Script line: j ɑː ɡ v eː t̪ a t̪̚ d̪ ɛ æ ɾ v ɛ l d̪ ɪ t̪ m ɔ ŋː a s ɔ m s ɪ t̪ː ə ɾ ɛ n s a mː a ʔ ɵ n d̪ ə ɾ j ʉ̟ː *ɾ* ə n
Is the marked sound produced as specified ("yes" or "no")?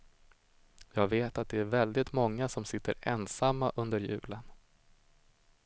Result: no